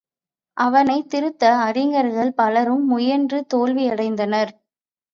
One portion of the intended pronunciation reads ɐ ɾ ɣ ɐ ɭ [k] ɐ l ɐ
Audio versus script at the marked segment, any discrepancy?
yes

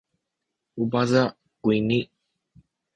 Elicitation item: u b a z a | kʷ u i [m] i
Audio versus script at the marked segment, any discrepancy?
yes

